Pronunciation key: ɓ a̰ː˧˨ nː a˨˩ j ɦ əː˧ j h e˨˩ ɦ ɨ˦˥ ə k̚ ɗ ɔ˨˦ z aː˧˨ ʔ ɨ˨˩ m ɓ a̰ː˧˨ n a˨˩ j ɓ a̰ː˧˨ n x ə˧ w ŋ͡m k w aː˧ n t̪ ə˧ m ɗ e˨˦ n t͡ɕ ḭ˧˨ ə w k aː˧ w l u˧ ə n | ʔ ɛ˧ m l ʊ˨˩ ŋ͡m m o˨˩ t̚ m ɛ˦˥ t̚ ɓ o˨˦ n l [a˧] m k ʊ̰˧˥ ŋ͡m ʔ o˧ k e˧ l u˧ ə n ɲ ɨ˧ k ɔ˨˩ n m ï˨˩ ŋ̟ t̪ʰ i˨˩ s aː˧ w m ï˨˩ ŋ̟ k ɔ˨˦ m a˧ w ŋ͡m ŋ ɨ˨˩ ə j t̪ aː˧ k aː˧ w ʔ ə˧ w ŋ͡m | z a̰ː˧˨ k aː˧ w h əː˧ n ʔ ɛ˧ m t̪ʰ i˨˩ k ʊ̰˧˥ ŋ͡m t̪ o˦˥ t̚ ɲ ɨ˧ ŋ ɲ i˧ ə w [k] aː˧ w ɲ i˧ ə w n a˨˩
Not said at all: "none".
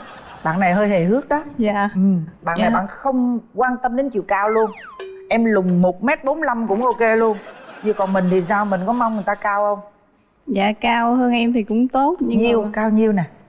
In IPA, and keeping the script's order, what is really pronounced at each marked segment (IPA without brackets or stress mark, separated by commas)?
a˧, k